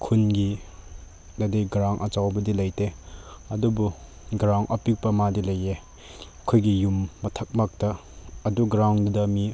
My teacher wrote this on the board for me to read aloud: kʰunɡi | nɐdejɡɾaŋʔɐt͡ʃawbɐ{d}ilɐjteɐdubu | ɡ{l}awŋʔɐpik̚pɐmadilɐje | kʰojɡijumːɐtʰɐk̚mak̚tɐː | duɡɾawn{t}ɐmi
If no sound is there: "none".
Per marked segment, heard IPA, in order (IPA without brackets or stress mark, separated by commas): d, ɾ, d